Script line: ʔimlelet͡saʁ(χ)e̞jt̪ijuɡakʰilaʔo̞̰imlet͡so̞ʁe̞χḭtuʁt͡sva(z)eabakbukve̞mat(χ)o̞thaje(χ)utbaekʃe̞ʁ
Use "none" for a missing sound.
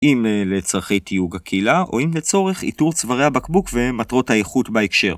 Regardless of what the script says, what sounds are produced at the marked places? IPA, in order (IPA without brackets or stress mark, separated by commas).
χ, ʁ, ʁ, χ